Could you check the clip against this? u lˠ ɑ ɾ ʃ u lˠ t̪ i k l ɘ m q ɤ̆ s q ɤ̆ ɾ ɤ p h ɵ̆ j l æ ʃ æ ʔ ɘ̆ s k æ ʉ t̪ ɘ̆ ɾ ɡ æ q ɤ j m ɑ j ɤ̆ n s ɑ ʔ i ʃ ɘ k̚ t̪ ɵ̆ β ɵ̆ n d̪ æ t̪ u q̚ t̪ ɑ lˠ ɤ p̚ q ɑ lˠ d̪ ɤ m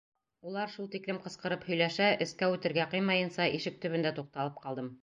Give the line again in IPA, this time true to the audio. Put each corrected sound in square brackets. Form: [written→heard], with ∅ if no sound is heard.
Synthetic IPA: u lˠ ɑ ɾ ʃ u lˠ t̪ i k l ɘ m q ɤ̆ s q ɤ̆ ɾ ɤ p h ɵ̆ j l æ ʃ æ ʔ ɘ̆ s k æ ʉ t̪ ɘ̆ ɾ ɡ æ q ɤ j m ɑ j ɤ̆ n s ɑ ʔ i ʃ ɘ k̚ t̪ ɵ̆ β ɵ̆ n d̪ æ t̪ u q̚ t̪ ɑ lˠ ɤ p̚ q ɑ lˠ d̪ ɤ m